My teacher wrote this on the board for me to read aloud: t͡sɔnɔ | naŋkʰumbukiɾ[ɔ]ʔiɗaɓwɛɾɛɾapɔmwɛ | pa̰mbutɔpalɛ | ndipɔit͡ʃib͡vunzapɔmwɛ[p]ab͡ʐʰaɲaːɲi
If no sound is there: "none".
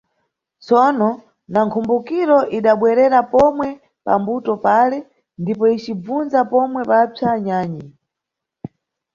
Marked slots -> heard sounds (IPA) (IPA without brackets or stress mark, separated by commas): ɔ, p